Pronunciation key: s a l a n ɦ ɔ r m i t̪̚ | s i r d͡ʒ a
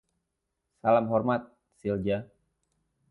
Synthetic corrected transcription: s a l a m ɦ ɔ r m a t̪̚ | s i l d͡ʒ a